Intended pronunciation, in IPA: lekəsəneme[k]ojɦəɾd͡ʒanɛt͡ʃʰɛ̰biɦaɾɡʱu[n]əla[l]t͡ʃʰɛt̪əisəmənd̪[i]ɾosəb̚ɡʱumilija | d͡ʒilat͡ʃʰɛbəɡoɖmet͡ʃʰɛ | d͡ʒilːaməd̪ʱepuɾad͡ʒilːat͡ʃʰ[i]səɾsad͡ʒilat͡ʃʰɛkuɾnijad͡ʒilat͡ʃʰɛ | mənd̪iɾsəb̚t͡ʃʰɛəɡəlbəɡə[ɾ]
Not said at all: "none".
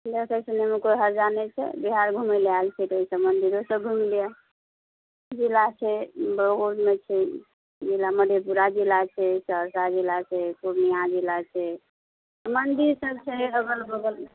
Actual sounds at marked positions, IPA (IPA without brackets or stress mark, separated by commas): k, m, l, i, ɛ, l